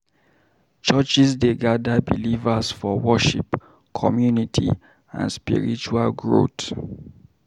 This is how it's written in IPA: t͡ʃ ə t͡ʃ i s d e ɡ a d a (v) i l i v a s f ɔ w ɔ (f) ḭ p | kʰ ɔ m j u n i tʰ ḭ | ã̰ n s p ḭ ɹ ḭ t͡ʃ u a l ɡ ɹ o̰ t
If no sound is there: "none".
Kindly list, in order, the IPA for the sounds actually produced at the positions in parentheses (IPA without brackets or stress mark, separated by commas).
b, ʃ